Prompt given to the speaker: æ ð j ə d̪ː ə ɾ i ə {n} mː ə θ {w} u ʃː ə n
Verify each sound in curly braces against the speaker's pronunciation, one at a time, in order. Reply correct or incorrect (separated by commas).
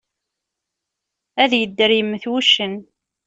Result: incorrect, correct